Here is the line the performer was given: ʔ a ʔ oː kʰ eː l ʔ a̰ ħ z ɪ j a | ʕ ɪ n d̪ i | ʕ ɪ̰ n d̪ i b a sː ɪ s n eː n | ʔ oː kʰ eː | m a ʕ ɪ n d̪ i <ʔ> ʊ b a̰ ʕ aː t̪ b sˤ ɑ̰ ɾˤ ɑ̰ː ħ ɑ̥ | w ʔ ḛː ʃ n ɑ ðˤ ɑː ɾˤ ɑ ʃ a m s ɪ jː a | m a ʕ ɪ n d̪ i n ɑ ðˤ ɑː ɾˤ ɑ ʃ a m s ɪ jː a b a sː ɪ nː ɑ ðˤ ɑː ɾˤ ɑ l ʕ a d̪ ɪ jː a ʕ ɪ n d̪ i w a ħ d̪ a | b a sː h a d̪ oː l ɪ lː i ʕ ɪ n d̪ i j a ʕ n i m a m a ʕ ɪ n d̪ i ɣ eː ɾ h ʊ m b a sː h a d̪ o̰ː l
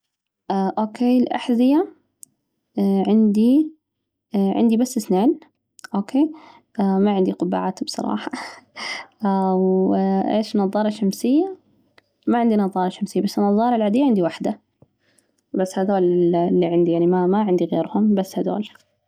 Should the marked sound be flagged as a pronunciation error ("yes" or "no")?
yes